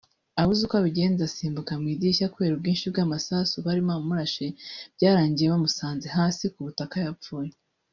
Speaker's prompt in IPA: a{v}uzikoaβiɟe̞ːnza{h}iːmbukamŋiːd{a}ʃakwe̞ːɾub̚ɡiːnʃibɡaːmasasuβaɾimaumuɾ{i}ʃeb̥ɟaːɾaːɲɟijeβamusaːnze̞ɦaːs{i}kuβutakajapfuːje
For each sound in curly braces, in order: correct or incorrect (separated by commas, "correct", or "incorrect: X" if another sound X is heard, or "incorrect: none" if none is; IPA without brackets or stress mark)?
incorrect: β, incorrect: s, incorrect: i, incorrect: a, correct